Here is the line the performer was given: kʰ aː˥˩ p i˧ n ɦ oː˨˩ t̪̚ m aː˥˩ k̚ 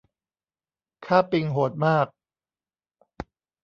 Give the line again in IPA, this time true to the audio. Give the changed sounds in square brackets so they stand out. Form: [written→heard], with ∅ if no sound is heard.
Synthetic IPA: kʰ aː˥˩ p i˧ [n→ŋ] ɦ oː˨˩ t̪̚ m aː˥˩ k̚